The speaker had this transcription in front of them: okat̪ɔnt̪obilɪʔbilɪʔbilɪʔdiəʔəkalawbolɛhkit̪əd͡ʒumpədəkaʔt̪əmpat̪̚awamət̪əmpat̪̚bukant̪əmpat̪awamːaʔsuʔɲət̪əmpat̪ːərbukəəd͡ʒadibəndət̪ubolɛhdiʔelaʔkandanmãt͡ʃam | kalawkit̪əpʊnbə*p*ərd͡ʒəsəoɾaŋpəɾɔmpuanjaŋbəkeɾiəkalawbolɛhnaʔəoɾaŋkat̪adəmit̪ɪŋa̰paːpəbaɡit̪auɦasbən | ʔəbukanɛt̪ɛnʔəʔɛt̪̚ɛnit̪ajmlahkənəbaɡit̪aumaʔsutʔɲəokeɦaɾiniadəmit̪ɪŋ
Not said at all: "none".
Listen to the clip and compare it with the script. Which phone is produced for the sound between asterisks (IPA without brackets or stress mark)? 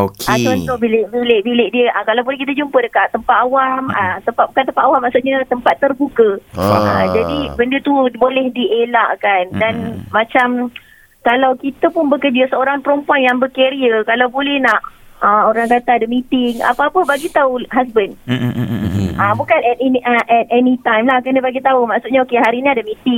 k